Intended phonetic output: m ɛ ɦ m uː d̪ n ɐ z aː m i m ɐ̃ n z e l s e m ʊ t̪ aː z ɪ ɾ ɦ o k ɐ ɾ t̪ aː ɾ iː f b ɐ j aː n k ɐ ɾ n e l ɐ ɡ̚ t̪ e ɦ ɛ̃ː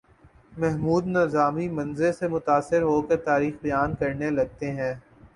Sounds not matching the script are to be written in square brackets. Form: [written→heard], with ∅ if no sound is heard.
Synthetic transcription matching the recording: m ɛ ɦ m uː d̪ n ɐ z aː m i m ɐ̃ n z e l s e m ʊ t̪ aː [z→s] ɪ ɾ ɦ o k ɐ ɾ t̪ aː ɾ iː [f→x] b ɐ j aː n k ɐ ɾ n e l ɐ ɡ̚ t̪ e ɦ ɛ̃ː